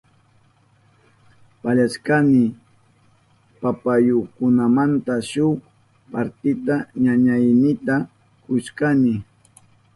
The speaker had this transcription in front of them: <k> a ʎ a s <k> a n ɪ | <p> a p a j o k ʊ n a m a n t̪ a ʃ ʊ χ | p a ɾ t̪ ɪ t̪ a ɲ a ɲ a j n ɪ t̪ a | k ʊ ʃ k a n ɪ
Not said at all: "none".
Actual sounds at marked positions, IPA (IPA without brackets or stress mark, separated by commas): p, k, p